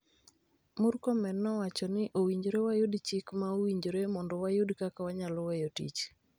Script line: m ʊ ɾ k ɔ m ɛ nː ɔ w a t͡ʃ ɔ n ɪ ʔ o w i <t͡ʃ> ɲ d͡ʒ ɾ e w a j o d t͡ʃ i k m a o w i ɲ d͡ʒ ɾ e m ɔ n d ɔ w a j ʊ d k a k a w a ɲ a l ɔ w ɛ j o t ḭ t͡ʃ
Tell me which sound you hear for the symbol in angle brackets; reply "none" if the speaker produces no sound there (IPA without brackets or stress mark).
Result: none